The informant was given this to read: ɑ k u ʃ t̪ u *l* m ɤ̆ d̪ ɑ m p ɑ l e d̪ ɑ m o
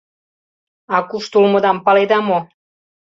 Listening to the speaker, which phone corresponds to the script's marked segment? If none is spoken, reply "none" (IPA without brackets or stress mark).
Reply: l